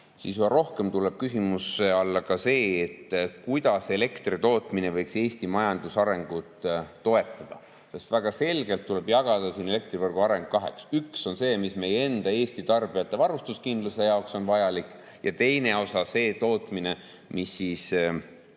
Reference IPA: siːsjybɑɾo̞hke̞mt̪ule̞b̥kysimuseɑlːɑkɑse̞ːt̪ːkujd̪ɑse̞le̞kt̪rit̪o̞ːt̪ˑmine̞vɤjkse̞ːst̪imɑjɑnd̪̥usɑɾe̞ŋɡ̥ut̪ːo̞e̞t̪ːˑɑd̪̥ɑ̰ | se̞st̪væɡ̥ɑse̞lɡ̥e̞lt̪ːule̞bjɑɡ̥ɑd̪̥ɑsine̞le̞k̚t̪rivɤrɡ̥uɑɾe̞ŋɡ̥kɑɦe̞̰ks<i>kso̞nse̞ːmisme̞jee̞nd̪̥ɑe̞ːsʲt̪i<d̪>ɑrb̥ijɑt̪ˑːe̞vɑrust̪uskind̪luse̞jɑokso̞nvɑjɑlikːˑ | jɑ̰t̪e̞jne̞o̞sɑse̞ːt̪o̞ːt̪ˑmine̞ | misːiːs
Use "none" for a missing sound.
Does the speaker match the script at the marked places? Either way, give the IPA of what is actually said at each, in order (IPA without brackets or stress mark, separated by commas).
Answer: y, t̪